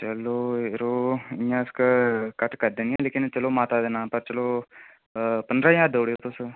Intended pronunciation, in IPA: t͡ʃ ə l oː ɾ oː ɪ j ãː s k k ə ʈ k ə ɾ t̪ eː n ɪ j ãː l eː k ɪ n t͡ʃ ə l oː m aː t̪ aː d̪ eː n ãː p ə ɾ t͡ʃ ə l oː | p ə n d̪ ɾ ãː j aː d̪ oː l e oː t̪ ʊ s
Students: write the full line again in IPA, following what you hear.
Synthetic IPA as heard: t͡ʃ ə l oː ɾ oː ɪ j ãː s k k ə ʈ k ə ɾ d̪ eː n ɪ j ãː l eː k ɪ n t͡ʃ ə l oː m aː t̪ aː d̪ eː n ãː p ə ɾ t͡ʃ ə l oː | p ə n d̪ ɾ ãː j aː d̪ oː ɽ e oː t̪ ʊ s